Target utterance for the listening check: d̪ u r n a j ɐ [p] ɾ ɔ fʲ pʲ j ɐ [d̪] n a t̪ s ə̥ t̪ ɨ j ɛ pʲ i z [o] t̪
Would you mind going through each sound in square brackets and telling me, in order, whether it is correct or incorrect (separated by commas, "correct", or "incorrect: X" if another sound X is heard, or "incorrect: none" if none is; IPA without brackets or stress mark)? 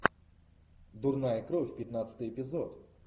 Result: incorrect: k, incorrect: t̪, incorrect: ɔ